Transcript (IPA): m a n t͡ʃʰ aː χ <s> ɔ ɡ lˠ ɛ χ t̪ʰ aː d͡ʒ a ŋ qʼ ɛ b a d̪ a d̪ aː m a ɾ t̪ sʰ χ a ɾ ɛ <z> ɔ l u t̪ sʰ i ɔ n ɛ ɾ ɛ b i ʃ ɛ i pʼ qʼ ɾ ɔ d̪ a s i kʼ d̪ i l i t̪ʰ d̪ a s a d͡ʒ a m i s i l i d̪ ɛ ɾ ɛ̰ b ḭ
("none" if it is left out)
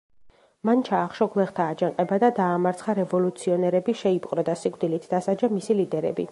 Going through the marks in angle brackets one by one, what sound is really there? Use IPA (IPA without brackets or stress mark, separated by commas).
ʃ, v